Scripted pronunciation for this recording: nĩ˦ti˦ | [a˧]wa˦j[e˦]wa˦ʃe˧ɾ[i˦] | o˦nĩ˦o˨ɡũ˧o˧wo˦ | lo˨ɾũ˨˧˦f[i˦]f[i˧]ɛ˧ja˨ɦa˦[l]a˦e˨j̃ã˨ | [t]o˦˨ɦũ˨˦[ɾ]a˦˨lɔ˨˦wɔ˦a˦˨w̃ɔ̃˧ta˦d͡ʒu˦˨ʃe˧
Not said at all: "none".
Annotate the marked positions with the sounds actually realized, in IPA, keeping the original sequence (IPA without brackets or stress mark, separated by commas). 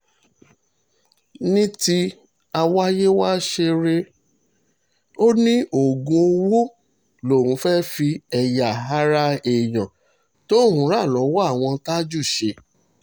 a˧, e˦, e˦, ɛ˦, i˧, ɾ, t, ɾ